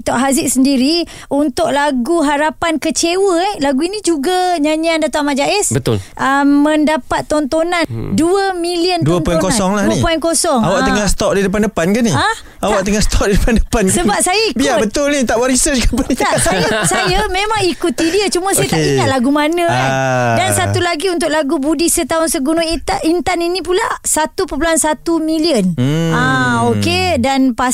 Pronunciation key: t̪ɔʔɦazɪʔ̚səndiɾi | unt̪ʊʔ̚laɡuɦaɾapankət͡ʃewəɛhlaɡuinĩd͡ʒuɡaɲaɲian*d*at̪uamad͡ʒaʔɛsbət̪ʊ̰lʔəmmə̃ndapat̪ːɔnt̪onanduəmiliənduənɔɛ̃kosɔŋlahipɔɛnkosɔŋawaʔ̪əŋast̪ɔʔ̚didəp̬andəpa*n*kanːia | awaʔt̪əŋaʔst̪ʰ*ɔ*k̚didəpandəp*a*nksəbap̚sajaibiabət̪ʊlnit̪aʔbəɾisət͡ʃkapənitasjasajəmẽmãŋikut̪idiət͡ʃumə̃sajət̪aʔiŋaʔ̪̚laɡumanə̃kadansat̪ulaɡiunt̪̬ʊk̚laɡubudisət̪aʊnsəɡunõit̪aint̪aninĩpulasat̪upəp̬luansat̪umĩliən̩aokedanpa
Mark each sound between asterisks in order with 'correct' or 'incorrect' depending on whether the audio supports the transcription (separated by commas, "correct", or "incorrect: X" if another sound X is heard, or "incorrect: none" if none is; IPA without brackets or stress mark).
correct, correct, correct, correct